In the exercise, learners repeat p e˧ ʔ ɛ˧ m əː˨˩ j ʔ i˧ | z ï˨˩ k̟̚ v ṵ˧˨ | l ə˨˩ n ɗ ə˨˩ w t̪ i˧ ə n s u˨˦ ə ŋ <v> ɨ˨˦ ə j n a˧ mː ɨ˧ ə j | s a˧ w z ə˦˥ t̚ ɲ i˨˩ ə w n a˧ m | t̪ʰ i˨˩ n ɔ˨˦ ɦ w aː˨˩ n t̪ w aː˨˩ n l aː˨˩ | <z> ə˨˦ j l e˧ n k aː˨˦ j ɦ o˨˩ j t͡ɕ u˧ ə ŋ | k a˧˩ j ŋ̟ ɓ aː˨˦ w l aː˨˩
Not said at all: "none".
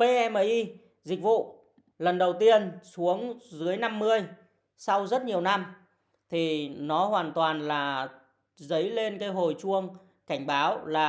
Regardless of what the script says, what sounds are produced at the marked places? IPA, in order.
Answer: z, z

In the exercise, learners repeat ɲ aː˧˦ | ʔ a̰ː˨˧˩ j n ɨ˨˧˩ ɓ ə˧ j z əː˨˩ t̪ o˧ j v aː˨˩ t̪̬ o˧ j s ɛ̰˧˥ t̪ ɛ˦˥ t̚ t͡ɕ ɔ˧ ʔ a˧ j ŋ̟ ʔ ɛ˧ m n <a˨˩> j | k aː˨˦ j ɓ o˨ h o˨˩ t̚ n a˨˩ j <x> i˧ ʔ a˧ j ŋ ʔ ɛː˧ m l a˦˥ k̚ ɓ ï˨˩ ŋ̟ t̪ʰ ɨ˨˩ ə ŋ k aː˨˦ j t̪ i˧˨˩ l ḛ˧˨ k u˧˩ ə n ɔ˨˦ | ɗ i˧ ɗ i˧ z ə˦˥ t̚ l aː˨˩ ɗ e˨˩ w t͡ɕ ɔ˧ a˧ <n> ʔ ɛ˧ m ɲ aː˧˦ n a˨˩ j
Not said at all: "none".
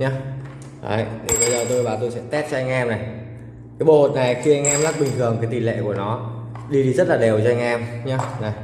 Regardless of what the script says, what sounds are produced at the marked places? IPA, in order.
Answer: a˨˩, x, ŋ

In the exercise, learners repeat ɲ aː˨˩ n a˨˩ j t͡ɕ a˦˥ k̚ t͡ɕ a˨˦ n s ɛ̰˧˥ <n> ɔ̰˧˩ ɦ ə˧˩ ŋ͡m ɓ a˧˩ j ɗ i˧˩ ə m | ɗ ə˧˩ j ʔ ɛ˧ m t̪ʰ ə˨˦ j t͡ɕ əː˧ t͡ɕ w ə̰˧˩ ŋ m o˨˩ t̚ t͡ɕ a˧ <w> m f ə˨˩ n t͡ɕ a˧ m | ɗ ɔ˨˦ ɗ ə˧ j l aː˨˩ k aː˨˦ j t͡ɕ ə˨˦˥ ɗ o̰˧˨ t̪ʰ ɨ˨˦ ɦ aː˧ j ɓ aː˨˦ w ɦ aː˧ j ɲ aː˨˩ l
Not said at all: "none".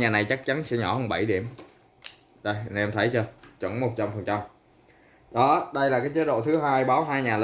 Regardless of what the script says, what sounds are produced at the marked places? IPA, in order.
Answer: ɲ, none

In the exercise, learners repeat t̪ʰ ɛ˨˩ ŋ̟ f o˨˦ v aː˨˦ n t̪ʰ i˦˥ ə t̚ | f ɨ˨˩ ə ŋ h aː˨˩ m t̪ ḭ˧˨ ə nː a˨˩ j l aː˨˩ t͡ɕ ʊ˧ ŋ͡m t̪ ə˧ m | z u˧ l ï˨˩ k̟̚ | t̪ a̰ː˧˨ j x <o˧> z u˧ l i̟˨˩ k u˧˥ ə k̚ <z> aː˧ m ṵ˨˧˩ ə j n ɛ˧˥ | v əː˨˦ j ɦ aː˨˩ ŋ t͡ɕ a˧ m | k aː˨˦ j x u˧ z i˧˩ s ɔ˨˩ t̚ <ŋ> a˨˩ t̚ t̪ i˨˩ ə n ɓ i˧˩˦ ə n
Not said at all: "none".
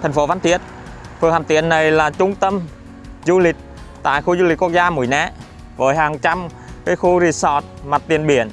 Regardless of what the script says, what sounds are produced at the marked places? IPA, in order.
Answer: u˧, z, m

